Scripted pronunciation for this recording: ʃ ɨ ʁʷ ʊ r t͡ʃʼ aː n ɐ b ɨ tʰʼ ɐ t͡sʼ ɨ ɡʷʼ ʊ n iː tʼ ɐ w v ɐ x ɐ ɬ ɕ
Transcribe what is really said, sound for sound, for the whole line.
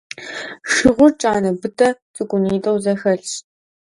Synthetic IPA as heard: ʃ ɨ ʁʷ ʊ r t͡ʃʼ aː n ɐ b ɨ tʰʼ ɐ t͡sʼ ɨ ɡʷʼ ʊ n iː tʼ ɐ w z ɐ x ɐ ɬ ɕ